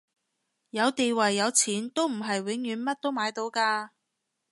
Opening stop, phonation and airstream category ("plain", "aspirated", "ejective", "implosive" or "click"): plain